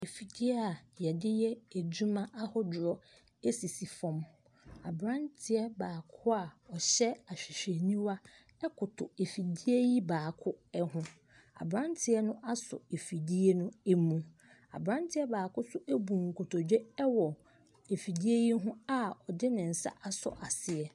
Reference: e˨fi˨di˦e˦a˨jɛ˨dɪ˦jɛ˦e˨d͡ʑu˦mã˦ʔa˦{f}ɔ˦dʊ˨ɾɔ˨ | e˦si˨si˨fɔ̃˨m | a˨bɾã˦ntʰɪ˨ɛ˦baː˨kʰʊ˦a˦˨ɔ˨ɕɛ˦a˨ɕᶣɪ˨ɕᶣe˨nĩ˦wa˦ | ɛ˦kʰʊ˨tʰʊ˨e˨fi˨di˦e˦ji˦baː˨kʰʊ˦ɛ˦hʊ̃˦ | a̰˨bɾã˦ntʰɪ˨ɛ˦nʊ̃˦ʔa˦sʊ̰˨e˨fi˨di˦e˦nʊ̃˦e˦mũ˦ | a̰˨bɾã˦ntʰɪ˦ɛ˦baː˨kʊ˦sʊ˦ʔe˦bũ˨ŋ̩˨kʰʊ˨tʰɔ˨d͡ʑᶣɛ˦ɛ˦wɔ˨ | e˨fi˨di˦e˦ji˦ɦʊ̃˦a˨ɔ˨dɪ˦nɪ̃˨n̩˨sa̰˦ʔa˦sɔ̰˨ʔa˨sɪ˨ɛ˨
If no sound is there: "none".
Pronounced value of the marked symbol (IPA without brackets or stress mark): h